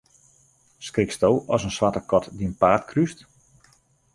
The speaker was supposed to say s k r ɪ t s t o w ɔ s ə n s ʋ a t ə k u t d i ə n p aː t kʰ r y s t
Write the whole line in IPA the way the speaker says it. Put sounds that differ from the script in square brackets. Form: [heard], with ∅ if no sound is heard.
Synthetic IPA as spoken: s k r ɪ [k] s t o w ɔ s ə n s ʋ a t ə k [ɔ] t d i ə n p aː t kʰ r y s t